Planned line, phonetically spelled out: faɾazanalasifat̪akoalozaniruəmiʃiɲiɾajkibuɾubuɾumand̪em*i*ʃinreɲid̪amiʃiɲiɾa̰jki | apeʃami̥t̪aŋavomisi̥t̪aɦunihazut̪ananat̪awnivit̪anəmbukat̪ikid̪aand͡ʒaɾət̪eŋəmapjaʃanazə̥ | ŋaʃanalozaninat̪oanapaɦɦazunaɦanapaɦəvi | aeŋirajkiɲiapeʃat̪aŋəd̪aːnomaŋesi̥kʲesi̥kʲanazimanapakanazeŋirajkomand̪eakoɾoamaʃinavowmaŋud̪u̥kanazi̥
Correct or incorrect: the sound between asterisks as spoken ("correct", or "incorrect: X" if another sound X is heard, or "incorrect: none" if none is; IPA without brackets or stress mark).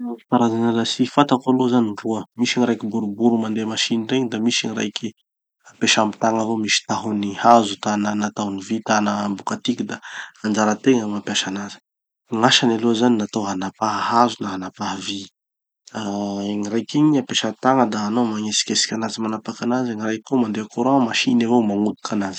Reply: incorrect: a